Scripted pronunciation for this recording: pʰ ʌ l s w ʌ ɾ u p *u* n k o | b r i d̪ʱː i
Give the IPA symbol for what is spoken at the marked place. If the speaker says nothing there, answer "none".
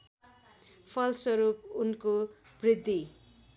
u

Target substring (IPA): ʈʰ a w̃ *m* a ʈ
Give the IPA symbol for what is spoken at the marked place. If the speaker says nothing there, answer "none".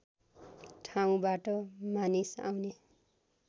b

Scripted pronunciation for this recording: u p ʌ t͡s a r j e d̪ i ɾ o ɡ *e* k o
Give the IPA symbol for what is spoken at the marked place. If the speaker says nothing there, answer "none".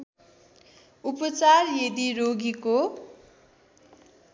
i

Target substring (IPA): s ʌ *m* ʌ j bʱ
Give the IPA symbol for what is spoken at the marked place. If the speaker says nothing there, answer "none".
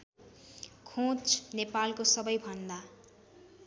b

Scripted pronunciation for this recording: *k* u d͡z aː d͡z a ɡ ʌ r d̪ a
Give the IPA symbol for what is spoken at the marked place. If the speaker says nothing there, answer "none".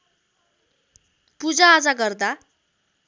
p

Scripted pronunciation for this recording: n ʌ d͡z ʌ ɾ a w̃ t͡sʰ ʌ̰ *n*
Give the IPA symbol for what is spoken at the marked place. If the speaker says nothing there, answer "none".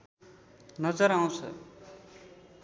none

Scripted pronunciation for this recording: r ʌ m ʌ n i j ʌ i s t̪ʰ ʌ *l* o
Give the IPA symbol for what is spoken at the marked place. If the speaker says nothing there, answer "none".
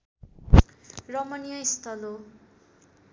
l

